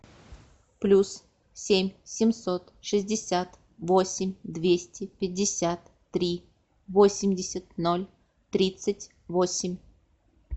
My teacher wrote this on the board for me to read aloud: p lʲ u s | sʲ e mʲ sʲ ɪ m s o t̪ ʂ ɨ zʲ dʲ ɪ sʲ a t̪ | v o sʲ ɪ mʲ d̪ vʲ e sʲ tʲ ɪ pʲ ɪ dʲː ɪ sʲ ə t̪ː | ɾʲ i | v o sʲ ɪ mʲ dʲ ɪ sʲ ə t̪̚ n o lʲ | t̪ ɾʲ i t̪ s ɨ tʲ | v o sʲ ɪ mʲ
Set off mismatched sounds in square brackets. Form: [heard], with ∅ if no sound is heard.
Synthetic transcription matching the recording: p lʲ u s | sʲ e mʲ sʲ ɪ m s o t̪ ʂ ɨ zʲ dʲ ɪ sʲ a t̪ | v o sʲ ɪ mʲ d̪ vʲ e sʲ tʲ ɪ pʲ ɪ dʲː ɪ sʲ [a] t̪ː | ɾʲ i | v o sʲ ɪ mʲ dʲ ɪ sʲ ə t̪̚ n o lʲ | t̪ ɾʲ i t̪ s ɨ tʲ | v o sʲ ɪ mʲ